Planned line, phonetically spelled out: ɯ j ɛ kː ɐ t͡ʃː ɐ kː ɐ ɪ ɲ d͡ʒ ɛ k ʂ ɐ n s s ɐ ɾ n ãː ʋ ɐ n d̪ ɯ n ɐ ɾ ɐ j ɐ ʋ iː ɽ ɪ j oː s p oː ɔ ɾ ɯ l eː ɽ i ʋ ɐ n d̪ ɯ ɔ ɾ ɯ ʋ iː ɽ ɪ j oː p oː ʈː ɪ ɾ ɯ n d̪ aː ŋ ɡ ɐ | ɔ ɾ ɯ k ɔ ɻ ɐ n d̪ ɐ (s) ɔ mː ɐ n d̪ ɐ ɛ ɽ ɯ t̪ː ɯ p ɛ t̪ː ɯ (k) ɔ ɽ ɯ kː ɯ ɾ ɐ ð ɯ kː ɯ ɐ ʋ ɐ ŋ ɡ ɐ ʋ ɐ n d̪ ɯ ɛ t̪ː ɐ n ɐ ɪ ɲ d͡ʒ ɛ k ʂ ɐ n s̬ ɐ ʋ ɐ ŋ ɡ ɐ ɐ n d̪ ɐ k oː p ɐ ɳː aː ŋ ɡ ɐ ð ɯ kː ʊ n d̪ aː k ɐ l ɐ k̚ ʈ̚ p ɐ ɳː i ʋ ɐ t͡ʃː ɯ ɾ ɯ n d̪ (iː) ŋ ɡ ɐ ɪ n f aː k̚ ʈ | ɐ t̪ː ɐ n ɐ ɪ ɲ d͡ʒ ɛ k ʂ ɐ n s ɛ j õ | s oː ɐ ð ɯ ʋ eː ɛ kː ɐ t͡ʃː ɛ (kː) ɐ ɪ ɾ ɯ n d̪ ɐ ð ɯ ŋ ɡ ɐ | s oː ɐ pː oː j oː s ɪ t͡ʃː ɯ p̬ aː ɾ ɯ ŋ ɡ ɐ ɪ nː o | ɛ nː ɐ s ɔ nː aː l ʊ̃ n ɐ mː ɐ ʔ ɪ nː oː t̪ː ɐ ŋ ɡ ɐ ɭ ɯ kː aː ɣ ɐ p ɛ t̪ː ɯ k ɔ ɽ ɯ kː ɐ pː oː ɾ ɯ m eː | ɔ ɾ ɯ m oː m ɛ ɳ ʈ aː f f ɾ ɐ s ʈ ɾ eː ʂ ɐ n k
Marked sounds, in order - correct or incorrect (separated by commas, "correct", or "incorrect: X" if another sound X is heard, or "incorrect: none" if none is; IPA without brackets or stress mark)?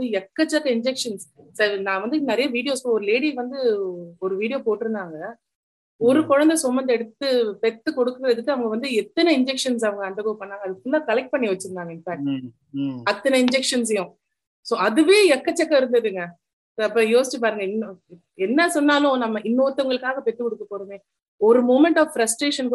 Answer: correct, correct, incorrect: aː, correct